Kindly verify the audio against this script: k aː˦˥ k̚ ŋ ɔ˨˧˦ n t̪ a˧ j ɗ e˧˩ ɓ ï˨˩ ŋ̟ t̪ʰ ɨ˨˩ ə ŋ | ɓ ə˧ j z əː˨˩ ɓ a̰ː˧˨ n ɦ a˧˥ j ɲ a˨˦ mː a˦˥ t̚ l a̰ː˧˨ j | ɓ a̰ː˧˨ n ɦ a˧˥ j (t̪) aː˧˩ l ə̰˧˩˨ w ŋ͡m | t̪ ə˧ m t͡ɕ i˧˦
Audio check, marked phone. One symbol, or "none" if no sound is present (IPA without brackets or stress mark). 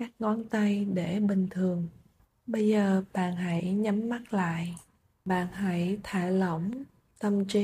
t̪ʰ